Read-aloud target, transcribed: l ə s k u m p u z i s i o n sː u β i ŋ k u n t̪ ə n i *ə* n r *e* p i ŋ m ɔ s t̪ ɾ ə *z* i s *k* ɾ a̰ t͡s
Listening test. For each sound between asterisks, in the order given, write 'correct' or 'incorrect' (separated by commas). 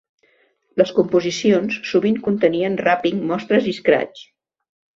correct, incorrect, correct, correct